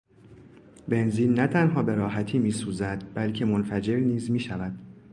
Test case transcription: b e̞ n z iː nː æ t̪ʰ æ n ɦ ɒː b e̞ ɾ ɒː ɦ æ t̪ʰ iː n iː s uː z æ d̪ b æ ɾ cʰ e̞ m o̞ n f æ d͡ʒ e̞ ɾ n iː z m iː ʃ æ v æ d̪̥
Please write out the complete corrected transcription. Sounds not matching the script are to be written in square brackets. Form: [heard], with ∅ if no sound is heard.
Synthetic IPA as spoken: b e̞ n z iː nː æ t̪ʰ æ n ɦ ɒː b e̞ ɾ ɒː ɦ æ t̪ʰ iː [m] iː s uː z æ d̪ b æ [l] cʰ e̞ m o̞ n f æ d͡ʒ e̞ ɾ n iː z m iː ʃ æ v æ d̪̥

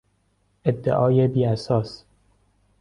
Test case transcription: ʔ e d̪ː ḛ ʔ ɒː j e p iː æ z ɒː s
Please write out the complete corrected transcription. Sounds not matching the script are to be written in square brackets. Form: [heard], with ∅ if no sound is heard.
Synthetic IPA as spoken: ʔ e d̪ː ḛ ʔ ɒː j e [b] iː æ [s] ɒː s

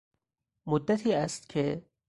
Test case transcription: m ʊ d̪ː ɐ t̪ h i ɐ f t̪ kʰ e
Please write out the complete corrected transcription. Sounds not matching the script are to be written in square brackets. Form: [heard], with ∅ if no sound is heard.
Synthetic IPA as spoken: m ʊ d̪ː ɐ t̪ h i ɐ [s] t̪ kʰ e

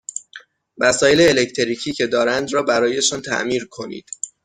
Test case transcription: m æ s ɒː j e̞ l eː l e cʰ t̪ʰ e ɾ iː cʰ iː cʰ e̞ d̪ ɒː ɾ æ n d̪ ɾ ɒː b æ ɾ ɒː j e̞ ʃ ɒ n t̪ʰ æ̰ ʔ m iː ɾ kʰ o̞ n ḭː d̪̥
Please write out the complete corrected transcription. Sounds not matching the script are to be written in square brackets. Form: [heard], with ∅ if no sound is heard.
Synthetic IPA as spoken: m æ s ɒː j e̞ l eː l e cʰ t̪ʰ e ɾ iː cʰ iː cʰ e̞ d̪ ɒː ɾ æ n d̪ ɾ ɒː b æ ɾ ɒː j e̞ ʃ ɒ n t̪ʰ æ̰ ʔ m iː ɾ kʰ o̞ n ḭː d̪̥

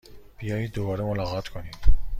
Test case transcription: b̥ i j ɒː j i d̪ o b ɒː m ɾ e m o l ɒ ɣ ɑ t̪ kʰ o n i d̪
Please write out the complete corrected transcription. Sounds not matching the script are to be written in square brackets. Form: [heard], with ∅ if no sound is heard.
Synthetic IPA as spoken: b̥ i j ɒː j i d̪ o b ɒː [∅] ɾ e m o l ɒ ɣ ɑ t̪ kʰ o n i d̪

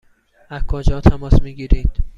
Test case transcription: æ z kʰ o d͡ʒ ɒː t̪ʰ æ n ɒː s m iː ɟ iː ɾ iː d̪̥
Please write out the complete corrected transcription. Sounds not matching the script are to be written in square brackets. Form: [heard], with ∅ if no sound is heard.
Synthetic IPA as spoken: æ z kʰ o d͡ʒ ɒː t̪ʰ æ [m] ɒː s m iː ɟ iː ɾ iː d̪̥

